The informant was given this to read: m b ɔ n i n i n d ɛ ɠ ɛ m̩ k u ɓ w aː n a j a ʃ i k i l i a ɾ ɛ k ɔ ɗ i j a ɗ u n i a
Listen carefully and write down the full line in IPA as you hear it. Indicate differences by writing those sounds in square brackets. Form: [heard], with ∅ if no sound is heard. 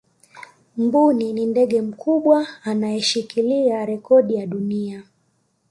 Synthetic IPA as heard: m b [u] n i n i n d ɛ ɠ ɛ m̩ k u ɓ w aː n a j [ɛ] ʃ i k i l i a ɾ ɛ k ɔ ɗ i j a ɗ u n i a